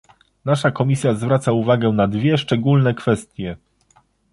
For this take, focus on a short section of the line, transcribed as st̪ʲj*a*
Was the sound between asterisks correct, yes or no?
no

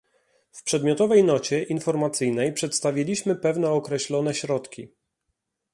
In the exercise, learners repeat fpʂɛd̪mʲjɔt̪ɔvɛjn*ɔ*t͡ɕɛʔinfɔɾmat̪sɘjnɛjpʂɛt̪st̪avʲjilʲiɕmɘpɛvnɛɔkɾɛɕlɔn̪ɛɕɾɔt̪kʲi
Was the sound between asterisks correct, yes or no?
yes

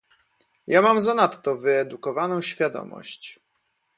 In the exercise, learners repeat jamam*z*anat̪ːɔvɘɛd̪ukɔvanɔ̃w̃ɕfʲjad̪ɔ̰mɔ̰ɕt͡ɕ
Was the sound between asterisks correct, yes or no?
yes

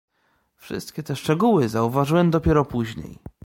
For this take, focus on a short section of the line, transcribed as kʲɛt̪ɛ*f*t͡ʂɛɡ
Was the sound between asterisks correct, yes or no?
no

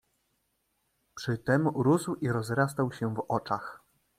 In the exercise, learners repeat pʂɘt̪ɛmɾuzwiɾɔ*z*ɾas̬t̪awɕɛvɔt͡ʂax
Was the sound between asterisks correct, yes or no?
yes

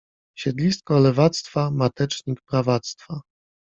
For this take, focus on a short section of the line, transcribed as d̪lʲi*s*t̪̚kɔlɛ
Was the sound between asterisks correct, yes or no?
yes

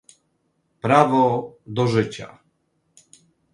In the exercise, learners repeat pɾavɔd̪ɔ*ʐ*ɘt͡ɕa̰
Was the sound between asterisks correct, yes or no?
yes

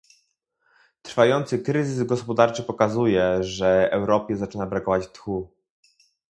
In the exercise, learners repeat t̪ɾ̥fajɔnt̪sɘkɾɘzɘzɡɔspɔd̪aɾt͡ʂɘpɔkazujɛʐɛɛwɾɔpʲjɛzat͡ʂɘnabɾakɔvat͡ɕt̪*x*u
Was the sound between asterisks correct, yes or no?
yes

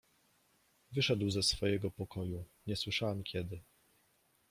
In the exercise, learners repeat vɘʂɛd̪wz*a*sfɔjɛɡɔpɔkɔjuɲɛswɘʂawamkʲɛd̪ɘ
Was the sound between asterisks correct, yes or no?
no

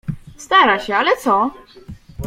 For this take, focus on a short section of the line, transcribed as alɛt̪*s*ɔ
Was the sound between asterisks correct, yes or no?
yes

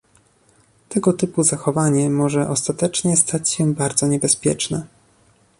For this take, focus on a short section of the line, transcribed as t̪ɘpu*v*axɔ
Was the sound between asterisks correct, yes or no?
no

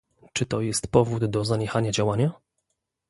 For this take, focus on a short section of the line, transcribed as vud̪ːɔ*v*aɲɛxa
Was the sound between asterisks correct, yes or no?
no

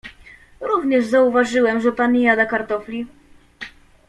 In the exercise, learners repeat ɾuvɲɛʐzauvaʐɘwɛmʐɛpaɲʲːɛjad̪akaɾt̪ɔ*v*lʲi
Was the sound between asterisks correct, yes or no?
no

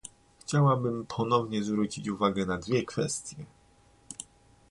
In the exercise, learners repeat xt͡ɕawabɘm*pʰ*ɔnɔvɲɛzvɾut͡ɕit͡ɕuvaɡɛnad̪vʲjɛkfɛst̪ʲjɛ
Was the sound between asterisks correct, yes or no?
yes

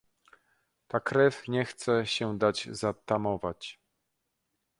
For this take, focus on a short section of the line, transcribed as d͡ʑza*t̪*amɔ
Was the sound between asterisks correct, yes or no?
yes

